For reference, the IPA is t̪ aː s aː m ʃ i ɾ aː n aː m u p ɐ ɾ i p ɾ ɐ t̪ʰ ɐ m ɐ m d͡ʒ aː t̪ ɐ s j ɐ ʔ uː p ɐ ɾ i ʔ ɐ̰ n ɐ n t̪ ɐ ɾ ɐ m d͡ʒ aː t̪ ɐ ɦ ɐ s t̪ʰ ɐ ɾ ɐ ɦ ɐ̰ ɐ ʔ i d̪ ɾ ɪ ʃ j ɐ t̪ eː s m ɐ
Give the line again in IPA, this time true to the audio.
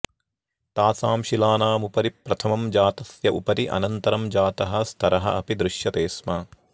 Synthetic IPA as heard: t̪ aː s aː m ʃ i l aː n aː m u p ɐ ɾ i p ɾ ɐ t̪ʰ ɐ m ɐ m d͡ʒ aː t̪ ɐ s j ɐ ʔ u p ɐ ɾ i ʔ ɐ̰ n ɐ n t̪ ɐ ɾ ɐ m d͡ʒ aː t̪ ɐ ɦ ɐ s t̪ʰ ɐ ɾ ɐ ɦ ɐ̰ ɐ p i d̪ ɾ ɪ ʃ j ɐ t̪ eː s m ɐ